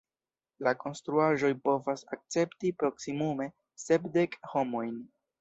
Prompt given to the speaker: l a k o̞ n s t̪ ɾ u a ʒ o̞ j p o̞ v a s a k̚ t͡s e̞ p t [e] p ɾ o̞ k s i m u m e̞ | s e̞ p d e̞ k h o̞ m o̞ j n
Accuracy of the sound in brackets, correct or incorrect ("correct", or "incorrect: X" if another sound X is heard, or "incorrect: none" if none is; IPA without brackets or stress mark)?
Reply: incorrect: i